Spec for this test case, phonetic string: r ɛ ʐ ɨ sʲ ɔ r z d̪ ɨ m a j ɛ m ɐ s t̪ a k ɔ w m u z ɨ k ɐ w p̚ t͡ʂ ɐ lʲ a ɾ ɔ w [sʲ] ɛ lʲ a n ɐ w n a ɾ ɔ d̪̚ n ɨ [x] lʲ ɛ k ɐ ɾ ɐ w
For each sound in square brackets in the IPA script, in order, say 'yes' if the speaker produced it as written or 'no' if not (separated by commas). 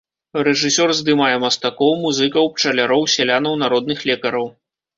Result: yes, yes